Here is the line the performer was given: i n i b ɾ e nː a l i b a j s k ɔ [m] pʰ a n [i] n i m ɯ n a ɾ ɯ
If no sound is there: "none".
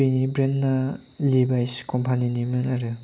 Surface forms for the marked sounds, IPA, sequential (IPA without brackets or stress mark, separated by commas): m, i